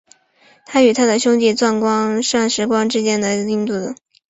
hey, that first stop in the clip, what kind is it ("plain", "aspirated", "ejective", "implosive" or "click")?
aspirated